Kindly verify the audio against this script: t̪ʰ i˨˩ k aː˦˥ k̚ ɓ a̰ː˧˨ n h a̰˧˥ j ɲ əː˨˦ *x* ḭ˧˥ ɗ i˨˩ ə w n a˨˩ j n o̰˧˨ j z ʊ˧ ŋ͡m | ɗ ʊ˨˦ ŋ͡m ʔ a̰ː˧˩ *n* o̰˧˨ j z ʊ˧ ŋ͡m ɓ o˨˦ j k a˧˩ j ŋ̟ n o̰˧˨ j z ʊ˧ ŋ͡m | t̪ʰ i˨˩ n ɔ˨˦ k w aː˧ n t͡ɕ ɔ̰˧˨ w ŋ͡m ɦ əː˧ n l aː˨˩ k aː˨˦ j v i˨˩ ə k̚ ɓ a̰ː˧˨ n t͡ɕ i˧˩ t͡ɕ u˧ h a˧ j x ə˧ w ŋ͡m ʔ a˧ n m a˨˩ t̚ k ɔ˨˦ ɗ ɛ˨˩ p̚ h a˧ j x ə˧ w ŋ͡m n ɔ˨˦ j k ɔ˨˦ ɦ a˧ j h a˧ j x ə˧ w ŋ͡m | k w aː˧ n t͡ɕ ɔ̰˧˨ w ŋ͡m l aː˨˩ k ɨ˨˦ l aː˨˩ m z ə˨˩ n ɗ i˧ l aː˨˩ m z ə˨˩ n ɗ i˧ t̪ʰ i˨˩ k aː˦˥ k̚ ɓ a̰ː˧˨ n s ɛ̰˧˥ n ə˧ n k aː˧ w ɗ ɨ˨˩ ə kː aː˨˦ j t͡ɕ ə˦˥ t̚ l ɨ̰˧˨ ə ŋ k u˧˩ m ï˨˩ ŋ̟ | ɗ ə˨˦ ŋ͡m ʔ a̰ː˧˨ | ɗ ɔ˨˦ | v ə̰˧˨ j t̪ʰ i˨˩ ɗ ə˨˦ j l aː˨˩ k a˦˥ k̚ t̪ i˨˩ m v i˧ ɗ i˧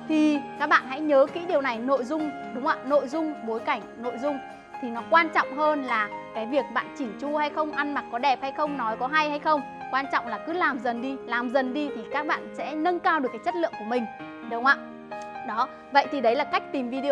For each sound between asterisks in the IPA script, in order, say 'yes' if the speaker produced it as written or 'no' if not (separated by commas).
no, yes